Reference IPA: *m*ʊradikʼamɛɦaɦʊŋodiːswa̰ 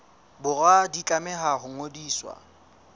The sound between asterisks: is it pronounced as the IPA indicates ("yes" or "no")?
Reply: no